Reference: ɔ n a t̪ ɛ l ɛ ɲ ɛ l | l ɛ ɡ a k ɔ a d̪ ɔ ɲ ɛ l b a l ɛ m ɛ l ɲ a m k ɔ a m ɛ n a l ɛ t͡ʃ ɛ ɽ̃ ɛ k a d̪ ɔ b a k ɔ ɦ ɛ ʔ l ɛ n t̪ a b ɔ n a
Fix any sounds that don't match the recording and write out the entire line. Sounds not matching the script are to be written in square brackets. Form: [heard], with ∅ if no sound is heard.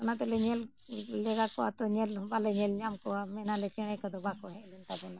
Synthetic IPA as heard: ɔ n a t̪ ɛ l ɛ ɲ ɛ l | l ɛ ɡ a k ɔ a [t̪] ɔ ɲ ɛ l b a l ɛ [ɲ] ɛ l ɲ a m k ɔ a m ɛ n a l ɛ t͡ʃ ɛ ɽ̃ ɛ k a d̪ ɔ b a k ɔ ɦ ɛ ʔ l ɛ n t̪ a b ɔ n a